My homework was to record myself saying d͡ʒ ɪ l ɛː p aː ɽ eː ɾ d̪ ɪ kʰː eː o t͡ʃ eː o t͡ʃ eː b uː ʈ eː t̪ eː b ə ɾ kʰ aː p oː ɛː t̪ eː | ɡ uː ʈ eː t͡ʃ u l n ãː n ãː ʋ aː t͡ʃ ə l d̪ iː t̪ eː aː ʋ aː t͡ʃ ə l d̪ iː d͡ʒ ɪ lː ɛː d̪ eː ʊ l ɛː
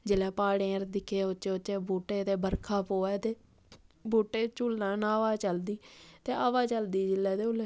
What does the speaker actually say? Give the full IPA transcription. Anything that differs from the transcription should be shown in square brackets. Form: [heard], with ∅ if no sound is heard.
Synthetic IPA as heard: d͡ʒ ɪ l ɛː p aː ɽ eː ɾ d̪ ɪ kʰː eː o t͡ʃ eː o t͡ʃ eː b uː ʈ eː t̪ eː b ə ɾ kʰ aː p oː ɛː t̪ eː | [b] uː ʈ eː t͡ʃ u l n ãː n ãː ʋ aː t͡ʃ ə l d̪ iː t̪ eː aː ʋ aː t͡ʃ ə l d̪ iː d͡ʒ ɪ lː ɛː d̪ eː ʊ l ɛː

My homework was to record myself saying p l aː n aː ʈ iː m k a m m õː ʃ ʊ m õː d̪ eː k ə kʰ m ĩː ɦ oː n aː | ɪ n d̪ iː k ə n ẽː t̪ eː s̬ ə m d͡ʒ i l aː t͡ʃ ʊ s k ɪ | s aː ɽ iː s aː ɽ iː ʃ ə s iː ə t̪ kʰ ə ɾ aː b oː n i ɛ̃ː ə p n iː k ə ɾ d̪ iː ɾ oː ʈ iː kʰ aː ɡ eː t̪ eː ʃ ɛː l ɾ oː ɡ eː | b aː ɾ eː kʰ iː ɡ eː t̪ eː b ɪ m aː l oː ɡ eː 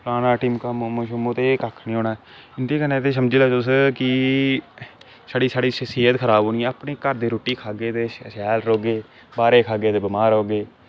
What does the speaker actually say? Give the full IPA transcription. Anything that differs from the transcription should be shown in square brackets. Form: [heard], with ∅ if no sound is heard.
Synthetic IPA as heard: p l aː n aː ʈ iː m k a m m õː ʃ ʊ m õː [t̪] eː k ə kʰ [n] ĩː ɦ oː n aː | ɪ n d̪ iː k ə n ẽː t̪ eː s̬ ə m d͡ʒ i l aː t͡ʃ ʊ s k ɪ | s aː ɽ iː s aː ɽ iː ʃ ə s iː ə t̪ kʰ ə ɾ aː b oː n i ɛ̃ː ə p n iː k ə ɾ d̪ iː ɾ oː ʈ iː kʰ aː ɡ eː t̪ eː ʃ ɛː l ɾ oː ɡ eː | b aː ɾ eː kʰ [aː] ɡ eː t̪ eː b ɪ m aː [ɾ] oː ɡ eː

